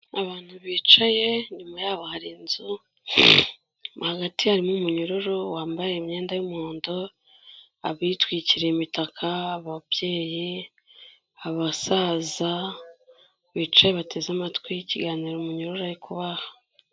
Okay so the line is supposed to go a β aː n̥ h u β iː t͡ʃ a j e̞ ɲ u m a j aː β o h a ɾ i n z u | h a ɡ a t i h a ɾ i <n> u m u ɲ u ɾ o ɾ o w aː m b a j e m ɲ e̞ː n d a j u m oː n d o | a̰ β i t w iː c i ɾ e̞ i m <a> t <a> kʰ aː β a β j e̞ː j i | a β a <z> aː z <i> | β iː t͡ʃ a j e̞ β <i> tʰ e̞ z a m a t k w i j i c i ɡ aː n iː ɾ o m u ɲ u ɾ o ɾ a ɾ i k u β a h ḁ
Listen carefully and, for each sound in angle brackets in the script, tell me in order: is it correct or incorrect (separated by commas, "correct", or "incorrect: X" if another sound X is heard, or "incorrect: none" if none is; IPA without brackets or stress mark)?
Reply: incorrect: m, incorrect: i, correct, incorrect: s, incorrect: a, incorrect: a